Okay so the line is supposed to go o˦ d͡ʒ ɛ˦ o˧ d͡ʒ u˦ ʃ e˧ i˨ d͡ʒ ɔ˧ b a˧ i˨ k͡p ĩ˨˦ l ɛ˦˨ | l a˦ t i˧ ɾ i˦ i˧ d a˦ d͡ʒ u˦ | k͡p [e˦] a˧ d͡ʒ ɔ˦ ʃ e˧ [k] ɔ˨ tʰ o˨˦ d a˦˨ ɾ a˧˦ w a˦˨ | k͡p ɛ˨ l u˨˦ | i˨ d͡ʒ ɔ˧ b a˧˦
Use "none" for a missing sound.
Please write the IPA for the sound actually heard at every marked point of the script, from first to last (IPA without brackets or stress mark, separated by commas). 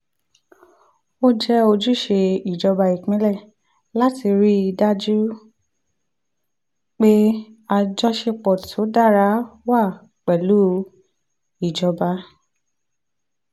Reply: e˦, k͡p